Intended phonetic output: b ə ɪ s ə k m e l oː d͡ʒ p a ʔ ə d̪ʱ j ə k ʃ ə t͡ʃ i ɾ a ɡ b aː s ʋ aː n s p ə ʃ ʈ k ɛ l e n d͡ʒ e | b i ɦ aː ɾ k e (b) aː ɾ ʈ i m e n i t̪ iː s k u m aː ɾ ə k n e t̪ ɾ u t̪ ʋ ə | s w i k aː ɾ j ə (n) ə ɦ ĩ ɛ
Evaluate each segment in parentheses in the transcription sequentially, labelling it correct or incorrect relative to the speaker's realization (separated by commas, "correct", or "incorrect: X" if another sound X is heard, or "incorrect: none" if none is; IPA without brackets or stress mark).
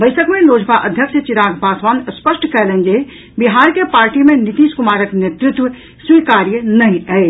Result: incorrect: p, correct